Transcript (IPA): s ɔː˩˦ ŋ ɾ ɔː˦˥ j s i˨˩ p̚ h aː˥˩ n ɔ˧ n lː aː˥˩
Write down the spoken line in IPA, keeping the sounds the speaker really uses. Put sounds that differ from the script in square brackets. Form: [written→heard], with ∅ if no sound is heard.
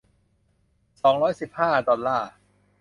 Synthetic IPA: s ɔː˩˦ ŋ ɾ ɔː˦˥ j s i˨˩ p̚ h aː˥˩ [n→d] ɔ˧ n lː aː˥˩